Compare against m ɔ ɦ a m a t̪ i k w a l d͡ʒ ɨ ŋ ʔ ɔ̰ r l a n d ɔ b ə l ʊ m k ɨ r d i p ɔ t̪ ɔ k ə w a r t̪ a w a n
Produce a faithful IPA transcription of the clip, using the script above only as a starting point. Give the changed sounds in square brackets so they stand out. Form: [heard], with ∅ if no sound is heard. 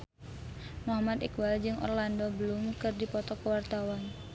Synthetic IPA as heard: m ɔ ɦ a m a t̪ i k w a l d͡ʒ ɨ ŋ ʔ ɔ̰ r l a n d ɔ b ə l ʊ m k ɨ r d i p ɔ t̪ ɔ k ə w a r t̪ a w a n